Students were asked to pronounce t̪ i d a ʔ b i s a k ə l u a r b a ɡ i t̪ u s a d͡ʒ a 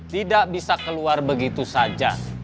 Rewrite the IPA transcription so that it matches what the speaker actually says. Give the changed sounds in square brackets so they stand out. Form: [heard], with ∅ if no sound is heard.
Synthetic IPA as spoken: t̪ i d a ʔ b i s a k ə l u a r b [ə] ɡ i t̪ u s a d͡ʒ a